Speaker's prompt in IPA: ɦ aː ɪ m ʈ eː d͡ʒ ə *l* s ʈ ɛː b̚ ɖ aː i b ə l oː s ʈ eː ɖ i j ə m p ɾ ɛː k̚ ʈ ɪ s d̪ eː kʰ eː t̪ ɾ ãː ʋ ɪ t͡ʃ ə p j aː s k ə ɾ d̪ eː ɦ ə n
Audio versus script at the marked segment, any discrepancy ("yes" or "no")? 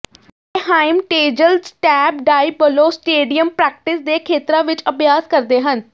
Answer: no